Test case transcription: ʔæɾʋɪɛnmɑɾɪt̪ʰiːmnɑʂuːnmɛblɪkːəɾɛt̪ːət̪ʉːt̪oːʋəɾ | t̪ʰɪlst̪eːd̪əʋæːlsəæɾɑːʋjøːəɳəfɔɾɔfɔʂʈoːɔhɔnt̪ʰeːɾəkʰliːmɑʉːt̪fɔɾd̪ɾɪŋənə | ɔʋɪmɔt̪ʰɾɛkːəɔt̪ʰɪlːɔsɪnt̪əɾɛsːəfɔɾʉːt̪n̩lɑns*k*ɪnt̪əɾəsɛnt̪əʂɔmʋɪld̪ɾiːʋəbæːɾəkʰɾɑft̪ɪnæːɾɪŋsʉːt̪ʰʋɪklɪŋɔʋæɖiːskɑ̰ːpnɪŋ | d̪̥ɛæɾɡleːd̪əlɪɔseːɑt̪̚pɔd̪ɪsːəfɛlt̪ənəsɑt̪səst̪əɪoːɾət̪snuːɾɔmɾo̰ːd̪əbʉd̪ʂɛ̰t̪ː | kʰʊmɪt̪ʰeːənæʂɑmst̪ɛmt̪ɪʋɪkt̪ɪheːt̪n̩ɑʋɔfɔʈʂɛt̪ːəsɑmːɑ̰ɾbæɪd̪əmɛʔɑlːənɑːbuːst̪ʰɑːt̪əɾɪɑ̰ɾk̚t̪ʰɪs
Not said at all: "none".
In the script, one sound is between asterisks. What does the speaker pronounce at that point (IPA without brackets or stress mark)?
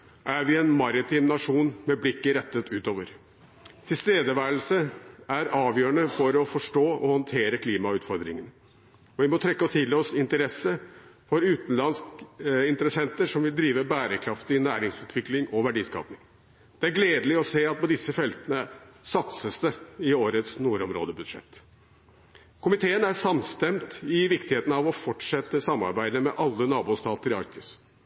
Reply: k